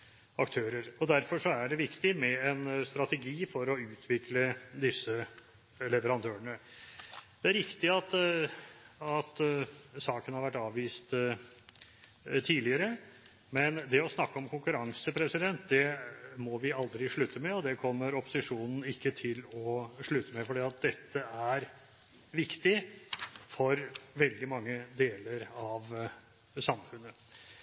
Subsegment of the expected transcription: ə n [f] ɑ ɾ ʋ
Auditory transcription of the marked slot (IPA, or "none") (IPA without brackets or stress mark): h